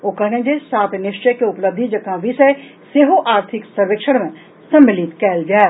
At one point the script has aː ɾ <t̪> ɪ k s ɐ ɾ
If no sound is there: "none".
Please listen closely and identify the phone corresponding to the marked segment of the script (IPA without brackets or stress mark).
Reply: t̪ʰ